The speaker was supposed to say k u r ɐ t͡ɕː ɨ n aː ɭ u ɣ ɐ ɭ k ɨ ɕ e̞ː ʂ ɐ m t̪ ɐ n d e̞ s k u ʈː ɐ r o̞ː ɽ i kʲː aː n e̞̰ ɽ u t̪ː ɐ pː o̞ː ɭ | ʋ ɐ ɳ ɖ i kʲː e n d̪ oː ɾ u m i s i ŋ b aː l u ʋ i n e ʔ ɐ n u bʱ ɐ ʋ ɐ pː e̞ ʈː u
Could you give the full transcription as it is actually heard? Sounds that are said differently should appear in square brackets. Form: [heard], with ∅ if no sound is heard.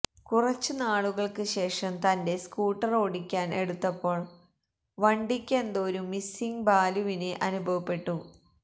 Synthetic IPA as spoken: k u r ɐ t͡ɕː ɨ n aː ɭ u ɣ ɐ ɭ k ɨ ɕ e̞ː ʂ ɐ m t̪ ɐ n d e̞ s k [uː] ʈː ɐ r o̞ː ɽ i kʲː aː n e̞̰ ɽ u t̪ː ɐ pː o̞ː ɭ | ʋ ɐ ɳ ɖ i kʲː e n d̪ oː ɾ u m i s i ŋ b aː l u ʋ i n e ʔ ɐ n u bʱ ɐ ʋ ɐ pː e̞ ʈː u